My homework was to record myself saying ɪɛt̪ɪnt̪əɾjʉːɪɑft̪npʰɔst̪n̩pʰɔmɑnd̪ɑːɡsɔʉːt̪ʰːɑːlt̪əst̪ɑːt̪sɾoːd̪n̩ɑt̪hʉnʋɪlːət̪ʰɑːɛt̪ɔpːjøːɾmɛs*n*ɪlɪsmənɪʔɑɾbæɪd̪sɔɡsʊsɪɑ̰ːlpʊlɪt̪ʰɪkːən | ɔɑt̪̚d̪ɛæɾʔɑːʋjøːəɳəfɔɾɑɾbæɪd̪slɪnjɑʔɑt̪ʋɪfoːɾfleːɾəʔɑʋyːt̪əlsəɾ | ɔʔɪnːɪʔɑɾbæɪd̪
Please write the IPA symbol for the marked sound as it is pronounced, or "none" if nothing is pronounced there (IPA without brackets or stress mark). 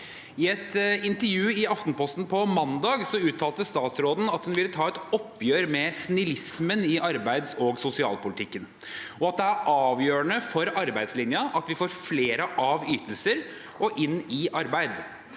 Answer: n